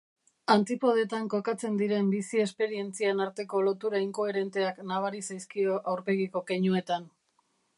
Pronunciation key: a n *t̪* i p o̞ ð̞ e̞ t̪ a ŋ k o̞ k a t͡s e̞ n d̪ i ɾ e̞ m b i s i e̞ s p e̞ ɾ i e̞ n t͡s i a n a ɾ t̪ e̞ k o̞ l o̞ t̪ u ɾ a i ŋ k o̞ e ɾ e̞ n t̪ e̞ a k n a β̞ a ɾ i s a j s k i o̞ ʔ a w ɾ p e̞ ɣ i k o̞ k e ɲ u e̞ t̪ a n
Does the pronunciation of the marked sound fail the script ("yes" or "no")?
no